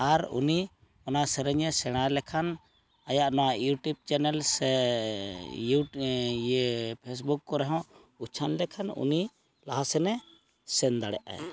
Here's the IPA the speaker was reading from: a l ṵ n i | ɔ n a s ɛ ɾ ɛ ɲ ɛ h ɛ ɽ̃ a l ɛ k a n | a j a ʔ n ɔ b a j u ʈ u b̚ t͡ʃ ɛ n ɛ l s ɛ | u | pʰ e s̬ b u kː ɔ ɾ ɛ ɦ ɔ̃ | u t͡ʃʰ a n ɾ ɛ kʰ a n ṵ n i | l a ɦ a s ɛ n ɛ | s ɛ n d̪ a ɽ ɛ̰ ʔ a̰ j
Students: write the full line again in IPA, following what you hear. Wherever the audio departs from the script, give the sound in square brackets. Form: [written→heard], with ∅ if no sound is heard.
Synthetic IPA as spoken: a [l→ɾ] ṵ n i | ɔ n a s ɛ ɾ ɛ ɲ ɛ [h→s] ɛ ɽ̃ a l ɛ [k→kʰ] a n | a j a ʔ n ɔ [b→w] a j u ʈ u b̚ t͡ʃ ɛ n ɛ l s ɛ | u | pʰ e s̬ b u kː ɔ ɾ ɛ ɦ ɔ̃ | u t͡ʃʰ a n [ɾ→l] ɛ kʰ a n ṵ n i | l a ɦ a s ɛ n ɛ | s ɛ n d̪ a ɽ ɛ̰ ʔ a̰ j